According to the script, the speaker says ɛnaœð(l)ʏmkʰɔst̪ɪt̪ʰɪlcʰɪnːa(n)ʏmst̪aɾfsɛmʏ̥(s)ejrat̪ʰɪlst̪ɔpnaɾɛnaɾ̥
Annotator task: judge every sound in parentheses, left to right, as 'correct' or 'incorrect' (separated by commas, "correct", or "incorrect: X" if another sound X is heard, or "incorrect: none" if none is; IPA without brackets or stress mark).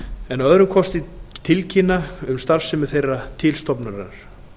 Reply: incorrect: ɾ, incorrect: none, incorrect: θ